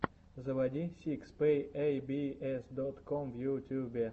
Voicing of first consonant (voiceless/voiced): voiced